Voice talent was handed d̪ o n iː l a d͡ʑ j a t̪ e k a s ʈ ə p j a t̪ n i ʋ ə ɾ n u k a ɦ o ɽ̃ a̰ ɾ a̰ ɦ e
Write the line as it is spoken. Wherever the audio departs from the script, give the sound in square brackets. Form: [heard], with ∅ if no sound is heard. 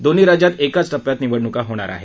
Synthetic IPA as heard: d̪ o n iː [ɾ] a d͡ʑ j a t̪ e k a [t͡s] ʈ ə p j a t̪ n i ʋ ə [ɽ] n u k a ɦ o ɽ̃ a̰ ɾ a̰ ɦ e